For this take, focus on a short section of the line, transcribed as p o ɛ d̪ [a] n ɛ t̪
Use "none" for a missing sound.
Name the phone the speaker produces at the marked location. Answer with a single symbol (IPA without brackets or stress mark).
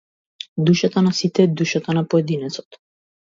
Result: i